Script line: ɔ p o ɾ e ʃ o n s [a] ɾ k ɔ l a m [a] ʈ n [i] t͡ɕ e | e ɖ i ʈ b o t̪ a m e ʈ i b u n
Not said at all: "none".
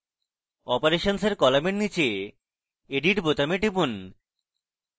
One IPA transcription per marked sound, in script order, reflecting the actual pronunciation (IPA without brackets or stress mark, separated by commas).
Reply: e, e, i